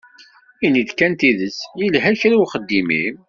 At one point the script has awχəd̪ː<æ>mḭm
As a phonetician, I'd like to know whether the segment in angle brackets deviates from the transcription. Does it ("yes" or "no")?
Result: yes